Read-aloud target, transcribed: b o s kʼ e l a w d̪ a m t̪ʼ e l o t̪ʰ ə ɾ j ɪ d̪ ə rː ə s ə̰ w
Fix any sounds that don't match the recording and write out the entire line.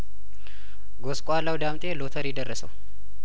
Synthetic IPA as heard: ɡ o s kʼ a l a w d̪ a m t̪ʼ e l o t̪ʰ ə ɾ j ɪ d̪ ə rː ə s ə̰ w